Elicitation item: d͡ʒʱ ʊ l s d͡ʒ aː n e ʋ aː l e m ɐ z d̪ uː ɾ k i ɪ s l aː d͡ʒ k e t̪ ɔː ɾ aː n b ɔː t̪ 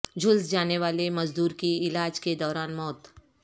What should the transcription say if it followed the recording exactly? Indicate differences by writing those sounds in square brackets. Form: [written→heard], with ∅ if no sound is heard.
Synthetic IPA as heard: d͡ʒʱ ʊ l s d͡ʒ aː n e ʋ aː l e m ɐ z d̪ uː ɾ k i ɪ [s→∅] l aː d͡ʒ k e [t̪→d̪] ɔː ɾ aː n [b→m] ɔː t̪